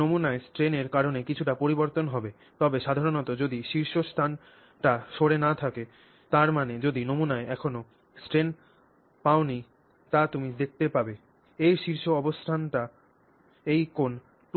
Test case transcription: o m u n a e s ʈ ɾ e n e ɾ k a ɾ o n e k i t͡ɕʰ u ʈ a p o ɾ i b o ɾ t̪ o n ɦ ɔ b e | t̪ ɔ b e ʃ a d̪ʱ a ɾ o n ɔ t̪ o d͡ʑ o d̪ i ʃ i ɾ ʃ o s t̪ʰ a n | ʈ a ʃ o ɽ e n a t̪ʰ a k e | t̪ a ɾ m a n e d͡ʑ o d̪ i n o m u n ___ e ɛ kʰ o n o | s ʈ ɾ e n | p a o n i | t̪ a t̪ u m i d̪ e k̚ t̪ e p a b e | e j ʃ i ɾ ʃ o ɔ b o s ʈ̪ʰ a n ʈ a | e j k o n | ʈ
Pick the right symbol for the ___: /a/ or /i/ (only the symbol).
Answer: a